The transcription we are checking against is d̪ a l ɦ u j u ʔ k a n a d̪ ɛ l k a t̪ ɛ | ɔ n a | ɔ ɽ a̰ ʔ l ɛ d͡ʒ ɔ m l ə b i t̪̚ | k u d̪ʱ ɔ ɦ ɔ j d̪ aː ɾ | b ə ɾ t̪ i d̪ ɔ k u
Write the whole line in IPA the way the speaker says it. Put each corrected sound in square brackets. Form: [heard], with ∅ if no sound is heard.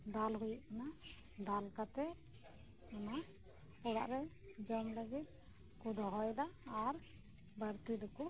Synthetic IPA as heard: d̪ a l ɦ u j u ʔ k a n a d̪ [a] l k a t̪ ɛ | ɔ n a | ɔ ɽ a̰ ʔ [ɾ] ɛ d͡ʒ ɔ m l ə [ɡ] i t̪̚ | k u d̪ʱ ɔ ɦ ɔ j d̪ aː ɾ | b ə ɾ t̪ i d̪ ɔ k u